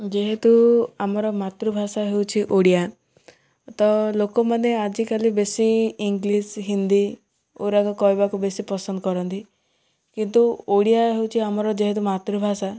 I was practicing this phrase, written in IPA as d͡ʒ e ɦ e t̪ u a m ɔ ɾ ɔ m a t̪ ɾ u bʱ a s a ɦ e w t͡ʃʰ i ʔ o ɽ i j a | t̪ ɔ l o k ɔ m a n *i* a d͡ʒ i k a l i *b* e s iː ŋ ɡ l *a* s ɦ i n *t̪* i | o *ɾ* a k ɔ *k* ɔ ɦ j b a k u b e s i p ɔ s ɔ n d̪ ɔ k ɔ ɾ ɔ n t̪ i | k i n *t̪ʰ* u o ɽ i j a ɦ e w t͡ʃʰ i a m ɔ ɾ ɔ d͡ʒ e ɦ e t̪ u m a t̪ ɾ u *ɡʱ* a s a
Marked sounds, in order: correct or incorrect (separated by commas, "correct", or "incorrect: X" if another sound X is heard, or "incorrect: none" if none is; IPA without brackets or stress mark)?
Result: incorrect: e, correct, incorrect: i, incorrect: d̪, correct, correct, incorrect: t̪, incorrect: bʱ